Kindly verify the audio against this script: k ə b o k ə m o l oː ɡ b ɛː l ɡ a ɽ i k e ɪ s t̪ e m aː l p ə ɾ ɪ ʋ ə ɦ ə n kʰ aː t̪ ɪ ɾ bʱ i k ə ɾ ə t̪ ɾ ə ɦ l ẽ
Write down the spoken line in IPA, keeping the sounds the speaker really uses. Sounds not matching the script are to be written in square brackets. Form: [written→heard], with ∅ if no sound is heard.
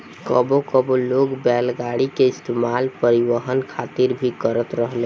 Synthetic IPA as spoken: k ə b o k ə [m→b] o l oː ɡ b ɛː l ɡ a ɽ i k e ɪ s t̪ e m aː l p ə ɾ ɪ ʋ ə ɦ ə n kʰ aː t̪ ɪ ɾ bʱ i k ə ɾ ə t̪ ɾ ə ɦ l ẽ

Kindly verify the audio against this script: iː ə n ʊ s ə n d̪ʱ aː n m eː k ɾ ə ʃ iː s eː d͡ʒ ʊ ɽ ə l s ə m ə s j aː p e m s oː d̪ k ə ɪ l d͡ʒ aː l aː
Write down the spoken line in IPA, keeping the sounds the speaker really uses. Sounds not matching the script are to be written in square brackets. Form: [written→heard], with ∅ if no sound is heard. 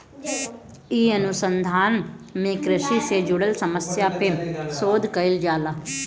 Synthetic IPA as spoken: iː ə n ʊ s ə n d̪ʱ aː n m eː k ɾ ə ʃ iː s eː d͡ʒ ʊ ɽ ə l s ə m ə s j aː p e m s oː d̪ k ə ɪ l d͡ʒ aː l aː

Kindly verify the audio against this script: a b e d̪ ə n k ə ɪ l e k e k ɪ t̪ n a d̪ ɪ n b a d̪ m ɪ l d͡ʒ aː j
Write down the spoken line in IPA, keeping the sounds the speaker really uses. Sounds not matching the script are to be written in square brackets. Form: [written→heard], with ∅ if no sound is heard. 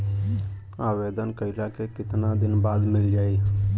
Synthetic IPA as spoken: a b e d̪ ə n k ə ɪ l [e→a] k e k ɪ t̪ n a d̪ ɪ n b a d̪ m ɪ l d͡ʒ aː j

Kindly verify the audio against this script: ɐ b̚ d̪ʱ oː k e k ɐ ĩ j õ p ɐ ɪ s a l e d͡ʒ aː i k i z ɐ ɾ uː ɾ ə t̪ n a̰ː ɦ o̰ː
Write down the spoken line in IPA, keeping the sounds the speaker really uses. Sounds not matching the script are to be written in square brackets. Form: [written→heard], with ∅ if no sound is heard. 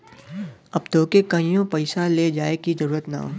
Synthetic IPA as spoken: ɐ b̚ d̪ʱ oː k e k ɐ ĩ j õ p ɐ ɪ s a l e d͡ʒ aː [i→e] k i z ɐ ɾ uː ɾ ə t̪ n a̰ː ɦ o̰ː

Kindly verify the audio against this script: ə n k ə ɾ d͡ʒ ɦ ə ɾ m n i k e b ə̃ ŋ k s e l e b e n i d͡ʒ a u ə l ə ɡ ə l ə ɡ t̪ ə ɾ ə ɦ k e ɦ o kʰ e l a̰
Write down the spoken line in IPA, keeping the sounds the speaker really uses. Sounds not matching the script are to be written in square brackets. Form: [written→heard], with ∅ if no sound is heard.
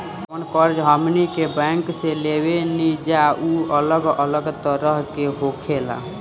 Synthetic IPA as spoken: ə n k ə ɾ d͡ʒ ɦ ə [ɾ→∅] m n i k e b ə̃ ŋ k s e l e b e n i d͡ʒ a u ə l ə ɡ ə l ə ɡ t̪ ə ɾ ə ɦ k e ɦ o kʰ e l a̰

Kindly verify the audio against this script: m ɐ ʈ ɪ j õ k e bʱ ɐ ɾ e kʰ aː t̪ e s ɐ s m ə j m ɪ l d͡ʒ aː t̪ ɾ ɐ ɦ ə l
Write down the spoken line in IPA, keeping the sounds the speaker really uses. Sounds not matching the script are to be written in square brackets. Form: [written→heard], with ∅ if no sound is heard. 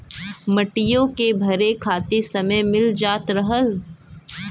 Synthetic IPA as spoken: m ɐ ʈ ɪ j õ k e bʱ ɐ ɾ e kʰ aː t̪ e s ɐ [s→∅] m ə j m ɪ l d͡ʒ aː t̪ ɾ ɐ ɦ ə l

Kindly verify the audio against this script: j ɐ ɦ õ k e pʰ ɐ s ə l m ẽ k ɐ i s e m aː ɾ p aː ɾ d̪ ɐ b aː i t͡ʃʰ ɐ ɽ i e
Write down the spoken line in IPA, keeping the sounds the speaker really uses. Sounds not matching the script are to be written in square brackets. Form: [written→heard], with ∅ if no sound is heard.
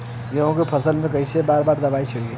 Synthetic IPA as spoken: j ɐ ɦ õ k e pʰ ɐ s ə l m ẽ k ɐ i s e [m→b] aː ɾ [p→b] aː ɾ d̪ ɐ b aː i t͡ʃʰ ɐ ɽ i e

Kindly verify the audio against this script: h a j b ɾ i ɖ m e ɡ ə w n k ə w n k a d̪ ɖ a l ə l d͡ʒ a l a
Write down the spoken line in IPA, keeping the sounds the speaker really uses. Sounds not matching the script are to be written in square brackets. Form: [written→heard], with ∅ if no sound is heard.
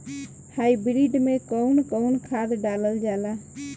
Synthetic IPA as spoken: h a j b ɾ i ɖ m e [ɡ→k] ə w n k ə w n [k→kʰ] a d̪ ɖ a l ə l d͡ʒ a l a

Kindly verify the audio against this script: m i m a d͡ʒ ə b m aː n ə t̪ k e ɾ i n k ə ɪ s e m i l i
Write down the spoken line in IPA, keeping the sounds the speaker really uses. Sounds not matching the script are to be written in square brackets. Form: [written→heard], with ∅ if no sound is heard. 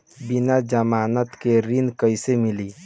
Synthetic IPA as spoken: [m→b] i [m→n] a d͡ʒ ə [b→∅] m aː n ə t̪ k e ɾ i n k ə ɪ s e m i l i

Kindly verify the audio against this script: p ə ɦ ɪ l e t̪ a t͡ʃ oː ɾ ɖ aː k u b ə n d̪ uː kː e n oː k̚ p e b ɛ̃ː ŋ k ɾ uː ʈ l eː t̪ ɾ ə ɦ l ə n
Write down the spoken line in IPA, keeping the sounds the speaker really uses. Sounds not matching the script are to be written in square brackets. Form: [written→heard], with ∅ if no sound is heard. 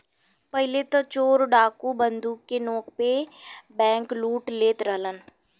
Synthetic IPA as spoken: p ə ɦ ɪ l e t̪ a t͡ʃ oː ɾ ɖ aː k u b ə n d̪ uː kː e n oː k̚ p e b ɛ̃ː ŋ k [ɾ→l] uː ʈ l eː t̪ ɾ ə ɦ l ə n

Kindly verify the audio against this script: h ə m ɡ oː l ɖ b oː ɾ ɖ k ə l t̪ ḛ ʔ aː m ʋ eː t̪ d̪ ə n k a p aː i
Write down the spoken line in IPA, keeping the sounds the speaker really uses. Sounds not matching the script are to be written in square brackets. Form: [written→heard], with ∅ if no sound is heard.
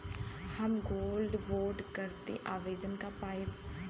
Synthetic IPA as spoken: h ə m ɡ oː l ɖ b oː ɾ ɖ k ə [l→ɾ] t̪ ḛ ʔ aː [m→∅] ʋ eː [t̪→∅] d̪ ə n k a p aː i

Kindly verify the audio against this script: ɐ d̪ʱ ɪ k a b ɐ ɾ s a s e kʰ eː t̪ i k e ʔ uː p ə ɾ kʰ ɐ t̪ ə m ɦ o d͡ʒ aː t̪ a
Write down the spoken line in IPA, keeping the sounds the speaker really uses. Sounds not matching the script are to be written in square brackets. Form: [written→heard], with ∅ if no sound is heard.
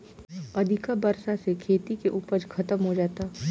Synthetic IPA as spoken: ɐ d̪ʱ ɪ k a b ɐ ɾ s a s e kʰ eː t̪ i k e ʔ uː p ə ɾ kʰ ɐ t̪ ə m ɦ o d͡ʒ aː t̪ a

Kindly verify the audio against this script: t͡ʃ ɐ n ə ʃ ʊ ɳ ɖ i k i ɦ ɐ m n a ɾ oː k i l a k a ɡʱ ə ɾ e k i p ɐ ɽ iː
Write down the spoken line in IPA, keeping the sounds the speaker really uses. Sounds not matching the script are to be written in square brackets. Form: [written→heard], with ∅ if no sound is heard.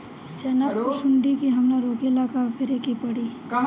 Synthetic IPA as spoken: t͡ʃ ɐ n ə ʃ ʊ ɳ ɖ i k i ɦ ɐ m n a ɾ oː k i l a k a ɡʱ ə ɾ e k i p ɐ ɽ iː

